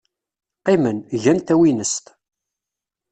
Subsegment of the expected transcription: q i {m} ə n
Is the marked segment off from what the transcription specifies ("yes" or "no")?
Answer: no